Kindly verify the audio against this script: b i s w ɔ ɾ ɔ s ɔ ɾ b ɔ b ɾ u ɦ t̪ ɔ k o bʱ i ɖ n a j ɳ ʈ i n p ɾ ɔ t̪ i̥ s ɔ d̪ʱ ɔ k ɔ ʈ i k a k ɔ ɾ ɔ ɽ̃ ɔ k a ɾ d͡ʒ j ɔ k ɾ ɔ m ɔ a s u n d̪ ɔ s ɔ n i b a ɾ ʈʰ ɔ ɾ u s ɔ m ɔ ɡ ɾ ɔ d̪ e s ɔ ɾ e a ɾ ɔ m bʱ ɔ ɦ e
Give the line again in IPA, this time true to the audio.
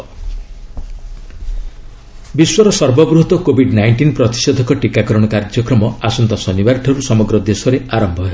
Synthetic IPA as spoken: b i s w ɔ ɾ ɔ s ɔ ɾ b ɔ b ɾ u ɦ t̪ ɔ k o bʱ i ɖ n a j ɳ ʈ i n p ɾ ɔ t̪ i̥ s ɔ d̪ʱ ɔ k ɔ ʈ i k a k ɔ ɾ ɔ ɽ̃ ɔ k a ɾ d͡ʒ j ɔ k ɾ ɔ m ɔ a s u n t̪ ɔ s ɔ n i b a ɾ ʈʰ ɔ ɾ u s ɔ m ɔ ɡ ɾ ɔ d̪ e s ɔ ɾ e a ɾ ɔ m bʱ ɔ ɦ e